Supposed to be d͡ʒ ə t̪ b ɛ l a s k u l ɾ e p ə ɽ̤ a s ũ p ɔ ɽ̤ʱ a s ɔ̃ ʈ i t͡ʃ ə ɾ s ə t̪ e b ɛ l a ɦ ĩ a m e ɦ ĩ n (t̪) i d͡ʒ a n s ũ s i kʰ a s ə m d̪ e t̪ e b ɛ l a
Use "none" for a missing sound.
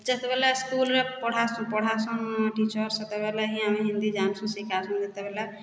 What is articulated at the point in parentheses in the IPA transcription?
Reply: d̪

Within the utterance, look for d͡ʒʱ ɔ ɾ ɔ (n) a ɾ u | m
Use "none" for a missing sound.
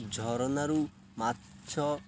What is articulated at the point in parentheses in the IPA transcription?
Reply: n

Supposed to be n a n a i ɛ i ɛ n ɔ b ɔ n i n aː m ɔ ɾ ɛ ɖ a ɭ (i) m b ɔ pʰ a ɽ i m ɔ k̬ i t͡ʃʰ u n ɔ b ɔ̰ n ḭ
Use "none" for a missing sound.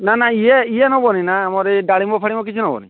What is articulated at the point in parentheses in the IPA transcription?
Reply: i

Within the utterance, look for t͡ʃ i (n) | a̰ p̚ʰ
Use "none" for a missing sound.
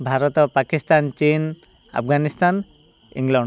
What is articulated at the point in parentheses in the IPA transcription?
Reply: n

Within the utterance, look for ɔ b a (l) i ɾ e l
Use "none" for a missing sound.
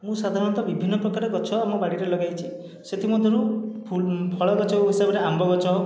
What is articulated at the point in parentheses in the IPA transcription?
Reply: ɽ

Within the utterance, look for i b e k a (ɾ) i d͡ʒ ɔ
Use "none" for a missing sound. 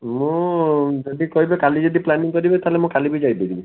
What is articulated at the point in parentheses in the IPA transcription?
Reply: l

